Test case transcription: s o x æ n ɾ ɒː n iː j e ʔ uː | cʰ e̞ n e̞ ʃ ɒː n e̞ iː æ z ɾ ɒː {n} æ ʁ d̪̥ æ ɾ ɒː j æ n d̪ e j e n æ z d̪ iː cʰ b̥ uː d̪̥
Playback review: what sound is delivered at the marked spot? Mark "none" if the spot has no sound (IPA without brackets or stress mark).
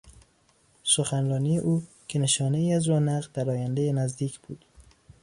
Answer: n